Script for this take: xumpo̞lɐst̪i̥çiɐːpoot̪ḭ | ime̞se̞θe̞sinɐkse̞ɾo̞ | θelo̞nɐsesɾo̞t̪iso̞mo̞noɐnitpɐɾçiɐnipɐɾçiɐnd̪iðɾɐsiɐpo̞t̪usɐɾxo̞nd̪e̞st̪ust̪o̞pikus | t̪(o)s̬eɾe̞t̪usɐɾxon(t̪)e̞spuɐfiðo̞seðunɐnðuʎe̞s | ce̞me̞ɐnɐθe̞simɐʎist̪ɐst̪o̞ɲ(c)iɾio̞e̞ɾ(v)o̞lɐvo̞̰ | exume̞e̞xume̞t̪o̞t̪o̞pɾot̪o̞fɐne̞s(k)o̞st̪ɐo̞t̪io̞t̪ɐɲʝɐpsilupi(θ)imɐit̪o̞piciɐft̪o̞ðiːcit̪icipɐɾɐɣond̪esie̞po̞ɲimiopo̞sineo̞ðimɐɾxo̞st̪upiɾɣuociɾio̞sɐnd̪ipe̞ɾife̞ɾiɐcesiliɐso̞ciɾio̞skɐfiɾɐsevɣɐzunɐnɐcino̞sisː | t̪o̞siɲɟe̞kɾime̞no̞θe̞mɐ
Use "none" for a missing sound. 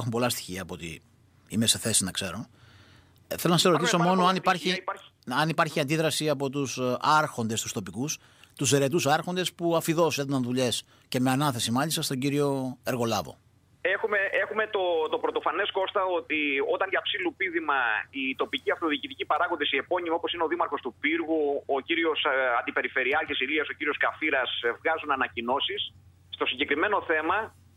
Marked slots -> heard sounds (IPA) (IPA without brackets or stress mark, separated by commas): u, d̪, ɟ, ɣ, k, ð